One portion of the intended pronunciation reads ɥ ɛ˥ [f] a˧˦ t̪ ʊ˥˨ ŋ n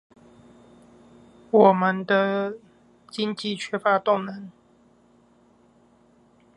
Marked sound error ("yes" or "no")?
no